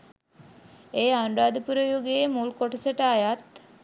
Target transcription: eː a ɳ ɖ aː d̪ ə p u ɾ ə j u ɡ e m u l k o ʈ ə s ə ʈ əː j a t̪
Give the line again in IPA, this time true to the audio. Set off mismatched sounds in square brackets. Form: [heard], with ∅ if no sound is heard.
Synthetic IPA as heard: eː a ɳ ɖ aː d̪ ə p u ɾ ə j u ɡ e m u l k o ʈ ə s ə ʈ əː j a t̪